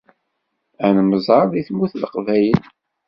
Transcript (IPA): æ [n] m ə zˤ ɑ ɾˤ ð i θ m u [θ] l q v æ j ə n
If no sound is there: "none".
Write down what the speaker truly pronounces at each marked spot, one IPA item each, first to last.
n, θ

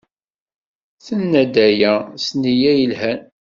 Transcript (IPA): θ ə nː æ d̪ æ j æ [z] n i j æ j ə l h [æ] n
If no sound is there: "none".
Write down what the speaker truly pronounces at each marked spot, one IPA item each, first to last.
s, æ

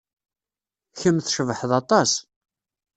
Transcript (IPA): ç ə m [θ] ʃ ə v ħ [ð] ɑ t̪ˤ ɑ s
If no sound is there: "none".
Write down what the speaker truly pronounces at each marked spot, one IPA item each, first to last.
θ, ð

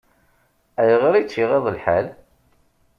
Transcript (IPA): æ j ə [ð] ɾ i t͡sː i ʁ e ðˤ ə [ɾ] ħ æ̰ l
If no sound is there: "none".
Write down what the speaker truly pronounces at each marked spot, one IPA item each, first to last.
ʁ, l

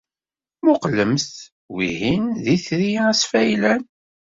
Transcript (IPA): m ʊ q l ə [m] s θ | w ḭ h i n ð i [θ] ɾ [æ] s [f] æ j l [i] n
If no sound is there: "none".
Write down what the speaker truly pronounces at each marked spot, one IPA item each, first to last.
m, θ, i, f, æ

